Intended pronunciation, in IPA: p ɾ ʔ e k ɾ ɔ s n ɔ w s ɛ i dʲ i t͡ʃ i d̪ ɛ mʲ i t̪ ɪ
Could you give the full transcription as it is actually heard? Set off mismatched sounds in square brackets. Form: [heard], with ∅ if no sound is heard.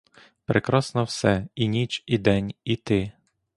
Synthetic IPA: p ɾ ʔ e k ɾ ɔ s n ɔ w s ɛ i [nʲ] i t͡ʃ i d̪ ɛ [nʲ] i t̪ ɪ